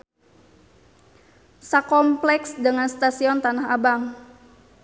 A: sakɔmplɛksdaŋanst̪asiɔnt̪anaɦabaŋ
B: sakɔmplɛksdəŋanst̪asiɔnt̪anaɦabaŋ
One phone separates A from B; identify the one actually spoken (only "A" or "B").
B